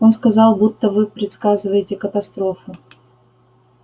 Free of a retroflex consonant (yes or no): yes